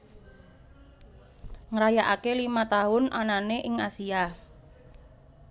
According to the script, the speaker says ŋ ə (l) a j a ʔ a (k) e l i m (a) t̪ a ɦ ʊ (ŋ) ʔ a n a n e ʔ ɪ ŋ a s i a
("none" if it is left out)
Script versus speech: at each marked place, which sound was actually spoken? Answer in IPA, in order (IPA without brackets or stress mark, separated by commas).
ɾ, k, a, n